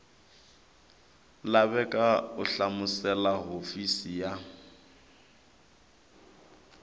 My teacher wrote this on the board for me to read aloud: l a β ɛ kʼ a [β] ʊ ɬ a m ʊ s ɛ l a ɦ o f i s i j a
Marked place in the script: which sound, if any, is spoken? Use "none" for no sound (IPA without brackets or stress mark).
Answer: none